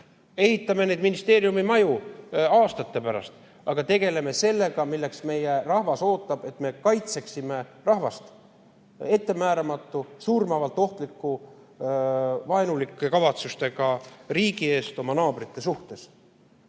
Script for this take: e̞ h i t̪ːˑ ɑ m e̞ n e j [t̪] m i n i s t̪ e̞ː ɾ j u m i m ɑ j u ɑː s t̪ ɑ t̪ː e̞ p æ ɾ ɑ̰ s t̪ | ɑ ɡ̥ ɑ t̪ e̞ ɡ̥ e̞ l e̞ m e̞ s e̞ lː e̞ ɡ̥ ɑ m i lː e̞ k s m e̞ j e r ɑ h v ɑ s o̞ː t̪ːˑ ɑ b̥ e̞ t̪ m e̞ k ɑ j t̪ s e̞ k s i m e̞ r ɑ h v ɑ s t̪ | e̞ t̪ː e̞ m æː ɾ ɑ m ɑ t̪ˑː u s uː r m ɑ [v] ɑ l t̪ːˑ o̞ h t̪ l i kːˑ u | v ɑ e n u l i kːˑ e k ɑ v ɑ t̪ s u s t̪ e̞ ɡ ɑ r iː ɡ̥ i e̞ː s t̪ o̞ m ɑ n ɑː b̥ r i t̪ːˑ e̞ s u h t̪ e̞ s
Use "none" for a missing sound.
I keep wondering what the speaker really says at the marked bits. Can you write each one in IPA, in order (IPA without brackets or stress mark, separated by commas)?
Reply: d̪, v